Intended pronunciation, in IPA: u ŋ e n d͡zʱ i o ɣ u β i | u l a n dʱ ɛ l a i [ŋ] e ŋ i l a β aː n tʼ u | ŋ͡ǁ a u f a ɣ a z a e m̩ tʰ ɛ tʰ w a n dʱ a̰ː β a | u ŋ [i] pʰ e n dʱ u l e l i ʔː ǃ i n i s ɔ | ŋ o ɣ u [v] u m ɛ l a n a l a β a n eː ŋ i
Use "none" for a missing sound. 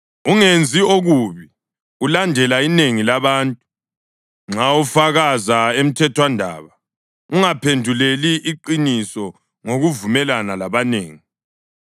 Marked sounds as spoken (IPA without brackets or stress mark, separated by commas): n, a, v